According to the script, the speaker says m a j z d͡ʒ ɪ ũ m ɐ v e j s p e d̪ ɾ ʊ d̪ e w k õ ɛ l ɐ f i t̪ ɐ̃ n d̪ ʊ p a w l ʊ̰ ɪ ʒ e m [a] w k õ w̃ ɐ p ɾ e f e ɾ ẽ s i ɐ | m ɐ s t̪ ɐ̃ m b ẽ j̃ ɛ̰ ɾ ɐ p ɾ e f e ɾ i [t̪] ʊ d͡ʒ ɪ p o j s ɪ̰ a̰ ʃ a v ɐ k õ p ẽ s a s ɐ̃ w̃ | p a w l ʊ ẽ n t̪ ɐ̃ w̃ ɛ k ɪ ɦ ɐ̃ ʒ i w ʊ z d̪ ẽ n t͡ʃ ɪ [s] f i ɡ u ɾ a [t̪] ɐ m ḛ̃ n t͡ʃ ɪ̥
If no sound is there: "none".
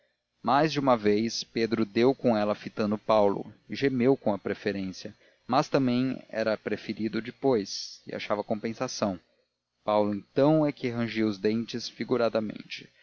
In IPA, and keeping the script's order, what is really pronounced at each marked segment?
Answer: e, d̪, s, d̪

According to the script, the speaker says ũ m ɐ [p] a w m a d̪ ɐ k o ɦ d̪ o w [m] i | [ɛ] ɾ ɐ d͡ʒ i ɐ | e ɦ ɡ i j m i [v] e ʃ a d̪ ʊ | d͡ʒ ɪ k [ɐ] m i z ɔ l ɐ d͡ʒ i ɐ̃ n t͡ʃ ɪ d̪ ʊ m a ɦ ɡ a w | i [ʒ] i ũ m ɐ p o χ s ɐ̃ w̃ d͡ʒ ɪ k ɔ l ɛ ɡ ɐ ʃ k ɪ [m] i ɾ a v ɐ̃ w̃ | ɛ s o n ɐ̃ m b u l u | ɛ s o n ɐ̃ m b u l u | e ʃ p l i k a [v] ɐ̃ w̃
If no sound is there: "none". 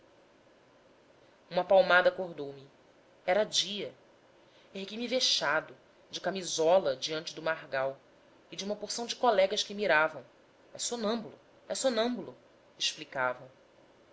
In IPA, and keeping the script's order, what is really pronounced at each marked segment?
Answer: p, m, ɛ, v, a, d͡ʒ, m, v

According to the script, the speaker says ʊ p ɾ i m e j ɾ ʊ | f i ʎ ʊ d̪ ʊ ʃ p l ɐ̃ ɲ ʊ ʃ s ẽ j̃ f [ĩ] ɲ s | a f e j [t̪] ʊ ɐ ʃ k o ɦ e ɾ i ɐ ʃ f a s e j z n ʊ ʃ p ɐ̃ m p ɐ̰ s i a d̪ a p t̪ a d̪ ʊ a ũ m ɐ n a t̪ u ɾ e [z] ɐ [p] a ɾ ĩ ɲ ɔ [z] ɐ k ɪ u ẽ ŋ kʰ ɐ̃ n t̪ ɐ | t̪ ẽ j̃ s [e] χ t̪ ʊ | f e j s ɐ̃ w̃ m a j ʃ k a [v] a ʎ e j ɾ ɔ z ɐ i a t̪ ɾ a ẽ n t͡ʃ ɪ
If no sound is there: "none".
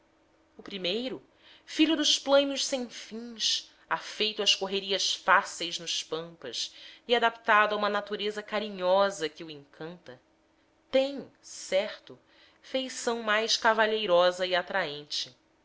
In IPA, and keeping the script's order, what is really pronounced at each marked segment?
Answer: ĩ, t̪, z, k, z, ɛ, v

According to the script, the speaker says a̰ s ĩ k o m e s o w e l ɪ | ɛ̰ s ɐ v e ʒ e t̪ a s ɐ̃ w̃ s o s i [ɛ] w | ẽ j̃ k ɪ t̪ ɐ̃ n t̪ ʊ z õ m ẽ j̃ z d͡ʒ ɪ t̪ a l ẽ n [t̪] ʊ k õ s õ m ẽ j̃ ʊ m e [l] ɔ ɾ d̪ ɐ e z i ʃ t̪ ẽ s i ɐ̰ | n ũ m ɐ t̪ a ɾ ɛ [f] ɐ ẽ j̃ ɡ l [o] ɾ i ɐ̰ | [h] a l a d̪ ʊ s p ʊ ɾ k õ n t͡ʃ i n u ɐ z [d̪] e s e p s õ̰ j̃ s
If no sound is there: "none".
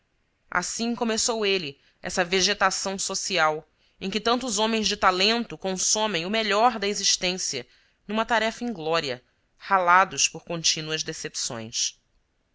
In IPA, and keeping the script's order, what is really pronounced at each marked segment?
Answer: a, t̪, ʎ, f, ɔ, h, d̪

